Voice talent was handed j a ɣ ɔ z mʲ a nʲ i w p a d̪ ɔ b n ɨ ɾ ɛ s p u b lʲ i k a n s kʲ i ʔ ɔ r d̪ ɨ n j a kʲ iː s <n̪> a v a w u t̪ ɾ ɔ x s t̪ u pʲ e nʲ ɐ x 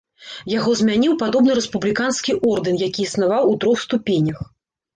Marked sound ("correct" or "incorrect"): correct